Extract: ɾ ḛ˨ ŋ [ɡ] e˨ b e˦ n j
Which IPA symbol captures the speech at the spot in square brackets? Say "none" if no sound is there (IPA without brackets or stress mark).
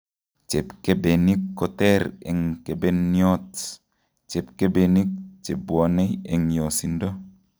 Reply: k